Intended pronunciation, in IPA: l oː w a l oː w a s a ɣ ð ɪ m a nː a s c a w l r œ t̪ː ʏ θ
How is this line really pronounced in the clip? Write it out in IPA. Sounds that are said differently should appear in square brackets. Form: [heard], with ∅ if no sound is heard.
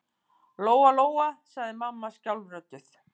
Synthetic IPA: l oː w a l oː w a s a ɣ ð ɪ m a [mː] a s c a w l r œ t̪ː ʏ θ